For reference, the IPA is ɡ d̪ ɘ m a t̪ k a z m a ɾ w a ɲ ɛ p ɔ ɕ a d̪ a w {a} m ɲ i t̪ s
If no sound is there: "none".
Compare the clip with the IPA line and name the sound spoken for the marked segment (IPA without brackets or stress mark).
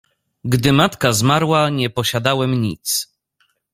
ɛ